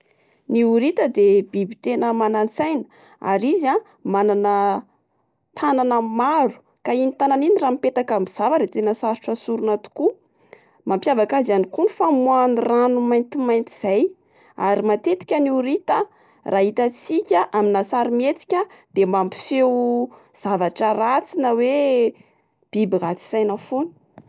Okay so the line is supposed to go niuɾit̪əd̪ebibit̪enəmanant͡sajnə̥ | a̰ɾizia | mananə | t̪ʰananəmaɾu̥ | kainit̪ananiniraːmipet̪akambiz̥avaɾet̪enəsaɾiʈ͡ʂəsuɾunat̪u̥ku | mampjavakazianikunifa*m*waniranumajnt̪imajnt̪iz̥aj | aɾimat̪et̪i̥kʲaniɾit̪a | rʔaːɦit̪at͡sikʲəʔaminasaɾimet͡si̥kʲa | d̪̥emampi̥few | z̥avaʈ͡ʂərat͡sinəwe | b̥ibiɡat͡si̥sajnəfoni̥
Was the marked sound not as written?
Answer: no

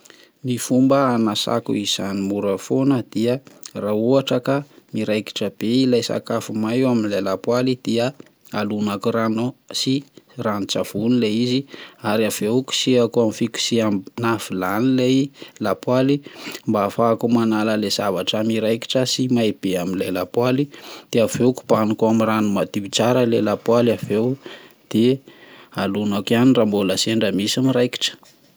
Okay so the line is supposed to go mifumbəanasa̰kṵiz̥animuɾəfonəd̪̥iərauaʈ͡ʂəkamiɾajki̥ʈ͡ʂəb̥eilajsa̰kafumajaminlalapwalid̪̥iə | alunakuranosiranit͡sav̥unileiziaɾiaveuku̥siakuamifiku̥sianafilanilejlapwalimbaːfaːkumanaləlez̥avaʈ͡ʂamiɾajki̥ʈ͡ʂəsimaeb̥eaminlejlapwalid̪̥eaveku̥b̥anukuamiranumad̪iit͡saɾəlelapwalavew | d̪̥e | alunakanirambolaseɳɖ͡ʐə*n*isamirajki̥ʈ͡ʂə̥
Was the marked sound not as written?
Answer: yes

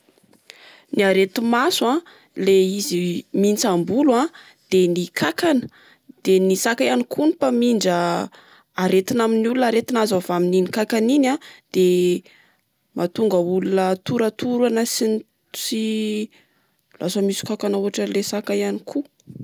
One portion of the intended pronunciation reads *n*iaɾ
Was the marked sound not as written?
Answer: no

